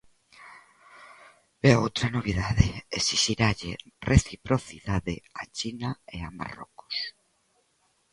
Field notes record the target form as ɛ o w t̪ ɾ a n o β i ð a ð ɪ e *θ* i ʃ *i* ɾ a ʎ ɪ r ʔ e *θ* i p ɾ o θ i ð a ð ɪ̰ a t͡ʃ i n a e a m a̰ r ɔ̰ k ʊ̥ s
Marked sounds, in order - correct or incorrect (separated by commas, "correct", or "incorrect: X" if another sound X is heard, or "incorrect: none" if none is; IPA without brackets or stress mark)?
incorrect: s, correct, correct